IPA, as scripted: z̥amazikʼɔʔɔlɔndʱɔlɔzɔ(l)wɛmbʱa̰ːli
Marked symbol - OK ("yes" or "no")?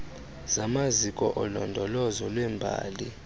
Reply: yes